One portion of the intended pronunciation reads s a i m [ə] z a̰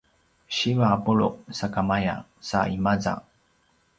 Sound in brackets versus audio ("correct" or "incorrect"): incorrect